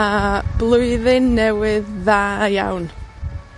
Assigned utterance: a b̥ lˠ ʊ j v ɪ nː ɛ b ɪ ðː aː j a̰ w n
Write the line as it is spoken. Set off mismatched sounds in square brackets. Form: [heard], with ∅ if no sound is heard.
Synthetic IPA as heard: a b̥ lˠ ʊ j [ð] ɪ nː ɛ [w] ɪ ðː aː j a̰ w n